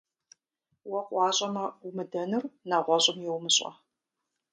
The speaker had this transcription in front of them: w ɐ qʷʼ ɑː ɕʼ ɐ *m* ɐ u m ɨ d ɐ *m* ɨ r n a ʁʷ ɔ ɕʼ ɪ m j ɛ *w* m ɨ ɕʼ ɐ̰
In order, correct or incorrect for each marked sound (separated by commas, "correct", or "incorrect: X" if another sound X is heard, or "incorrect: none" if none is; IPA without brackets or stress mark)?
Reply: correct, incorrect: n, correct